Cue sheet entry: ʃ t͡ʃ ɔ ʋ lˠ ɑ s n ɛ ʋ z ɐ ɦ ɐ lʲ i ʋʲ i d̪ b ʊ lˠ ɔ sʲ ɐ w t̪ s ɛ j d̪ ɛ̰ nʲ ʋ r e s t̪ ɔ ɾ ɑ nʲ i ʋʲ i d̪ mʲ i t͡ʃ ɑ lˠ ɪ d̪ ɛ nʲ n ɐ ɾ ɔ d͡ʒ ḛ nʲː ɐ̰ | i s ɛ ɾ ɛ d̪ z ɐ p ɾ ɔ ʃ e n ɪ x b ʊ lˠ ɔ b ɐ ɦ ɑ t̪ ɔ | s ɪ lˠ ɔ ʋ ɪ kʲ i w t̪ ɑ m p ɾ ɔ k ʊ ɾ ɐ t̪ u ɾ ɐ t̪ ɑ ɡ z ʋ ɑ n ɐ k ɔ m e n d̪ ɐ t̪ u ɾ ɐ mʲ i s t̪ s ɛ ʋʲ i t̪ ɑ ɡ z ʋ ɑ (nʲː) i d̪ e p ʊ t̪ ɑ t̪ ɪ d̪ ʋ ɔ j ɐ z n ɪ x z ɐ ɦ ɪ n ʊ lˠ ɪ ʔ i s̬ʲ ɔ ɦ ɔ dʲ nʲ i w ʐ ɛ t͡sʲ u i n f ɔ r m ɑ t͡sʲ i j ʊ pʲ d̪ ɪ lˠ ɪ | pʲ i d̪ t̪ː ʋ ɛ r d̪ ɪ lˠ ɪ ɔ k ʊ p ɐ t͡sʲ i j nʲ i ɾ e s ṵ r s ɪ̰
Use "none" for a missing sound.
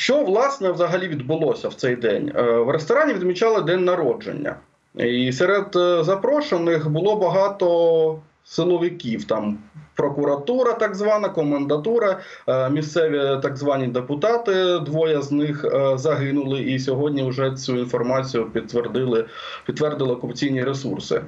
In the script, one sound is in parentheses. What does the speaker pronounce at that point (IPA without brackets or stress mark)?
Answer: nʲ